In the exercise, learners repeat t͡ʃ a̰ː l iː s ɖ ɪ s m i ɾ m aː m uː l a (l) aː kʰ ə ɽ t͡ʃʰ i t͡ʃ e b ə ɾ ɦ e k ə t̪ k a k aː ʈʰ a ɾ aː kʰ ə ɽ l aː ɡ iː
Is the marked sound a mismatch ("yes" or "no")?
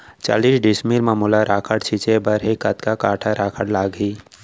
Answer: yes